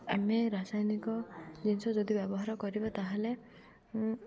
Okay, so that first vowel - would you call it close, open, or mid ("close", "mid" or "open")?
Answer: open